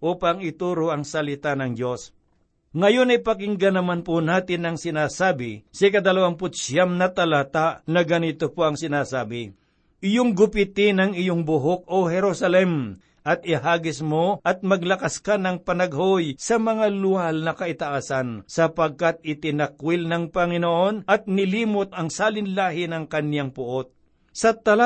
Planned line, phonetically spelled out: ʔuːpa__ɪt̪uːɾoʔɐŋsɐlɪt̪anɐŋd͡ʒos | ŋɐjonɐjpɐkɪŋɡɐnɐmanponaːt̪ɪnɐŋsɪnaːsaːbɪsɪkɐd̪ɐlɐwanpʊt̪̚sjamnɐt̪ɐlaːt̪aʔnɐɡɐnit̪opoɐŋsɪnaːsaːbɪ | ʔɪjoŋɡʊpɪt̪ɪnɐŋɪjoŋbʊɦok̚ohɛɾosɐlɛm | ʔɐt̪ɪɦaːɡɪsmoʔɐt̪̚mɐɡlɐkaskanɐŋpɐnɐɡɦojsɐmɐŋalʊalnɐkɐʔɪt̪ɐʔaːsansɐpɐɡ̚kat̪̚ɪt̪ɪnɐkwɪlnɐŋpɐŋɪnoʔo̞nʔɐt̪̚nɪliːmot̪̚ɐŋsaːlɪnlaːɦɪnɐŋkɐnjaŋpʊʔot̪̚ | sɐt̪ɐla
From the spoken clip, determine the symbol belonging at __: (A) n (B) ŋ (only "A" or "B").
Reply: B